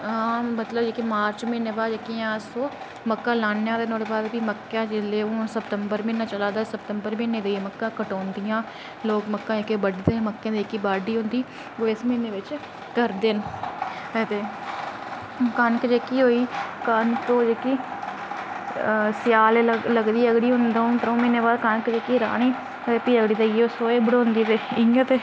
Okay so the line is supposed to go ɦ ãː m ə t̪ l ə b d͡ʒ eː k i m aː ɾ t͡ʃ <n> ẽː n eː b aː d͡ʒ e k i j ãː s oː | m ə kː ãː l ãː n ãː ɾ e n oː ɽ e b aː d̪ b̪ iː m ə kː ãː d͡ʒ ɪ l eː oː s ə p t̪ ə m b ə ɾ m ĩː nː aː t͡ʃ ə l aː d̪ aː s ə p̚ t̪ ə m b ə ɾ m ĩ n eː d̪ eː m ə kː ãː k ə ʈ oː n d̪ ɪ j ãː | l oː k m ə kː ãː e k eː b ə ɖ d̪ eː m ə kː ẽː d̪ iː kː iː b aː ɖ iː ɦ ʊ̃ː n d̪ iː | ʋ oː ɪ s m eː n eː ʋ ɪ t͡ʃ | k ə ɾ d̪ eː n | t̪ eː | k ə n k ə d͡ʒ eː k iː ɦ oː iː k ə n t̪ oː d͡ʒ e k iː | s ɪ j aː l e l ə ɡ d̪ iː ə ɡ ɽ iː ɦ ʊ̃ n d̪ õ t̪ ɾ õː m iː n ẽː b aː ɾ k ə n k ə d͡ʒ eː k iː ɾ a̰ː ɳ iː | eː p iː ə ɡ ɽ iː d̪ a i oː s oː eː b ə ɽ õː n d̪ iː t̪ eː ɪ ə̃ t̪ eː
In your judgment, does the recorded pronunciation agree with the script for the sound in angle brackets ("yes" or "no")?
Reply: no